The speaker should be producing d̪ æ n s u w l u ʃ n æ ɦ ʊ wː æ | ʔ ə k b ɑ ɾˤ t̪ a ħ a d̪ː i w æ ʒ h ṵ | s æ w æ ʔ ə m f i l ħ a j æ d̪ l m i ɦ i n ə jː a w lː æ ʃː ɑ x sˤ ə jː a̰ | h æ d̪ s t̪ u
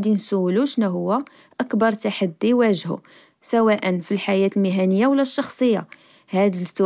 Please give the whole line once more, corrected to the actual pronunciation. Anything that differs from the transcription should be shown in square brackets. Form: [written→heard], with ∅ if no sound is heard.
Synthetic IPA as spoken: d̪ [æ→i] n s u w l u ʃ n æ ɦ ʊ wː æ | ʔ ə k b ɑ ɾˤ t̪ a ħ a d̪ː i w æ ʒ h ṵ | s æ w æ ʔ ə [m→n] f i l ħ a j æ [d̪→t̪] l m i ɦ [i→æ] n ə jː a w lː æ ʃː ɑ x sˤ ə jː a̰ | h æ d̪ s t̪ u